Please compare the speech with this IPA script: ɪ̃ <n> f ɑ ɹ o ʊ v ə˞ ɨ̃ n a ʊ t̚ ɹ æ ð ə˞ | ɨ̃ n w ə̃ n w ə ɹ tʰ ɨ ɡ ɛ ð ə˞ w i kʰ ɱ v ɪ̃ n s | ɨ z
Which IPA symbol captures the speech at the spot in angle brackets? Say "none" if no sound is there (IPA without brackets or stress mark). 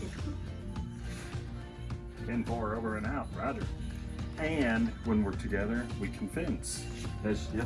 n